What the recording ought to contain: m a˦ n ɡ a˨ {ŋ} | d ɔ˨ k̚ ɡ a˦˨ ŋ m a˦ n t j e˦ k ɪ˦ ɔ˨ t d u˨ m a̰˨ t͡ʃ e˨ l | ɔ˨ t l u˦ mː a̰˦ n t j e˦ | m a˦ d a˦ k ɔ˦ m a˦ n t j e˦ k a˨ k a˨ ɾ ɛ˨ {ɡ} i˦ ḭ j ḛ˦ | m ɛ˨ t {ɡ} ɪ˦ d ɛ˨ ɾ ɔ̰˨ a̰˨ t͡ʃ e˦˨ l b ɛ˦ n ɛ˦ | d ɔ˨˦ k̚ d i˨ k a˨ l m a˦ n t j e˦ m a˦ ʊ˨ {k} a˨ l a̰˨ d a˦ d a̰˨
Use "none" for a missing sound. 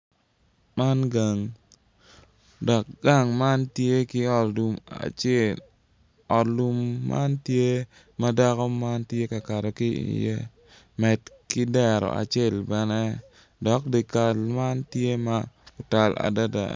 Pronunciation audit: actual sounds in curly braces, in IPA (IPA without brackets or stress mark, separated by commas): ŋ, k, k, t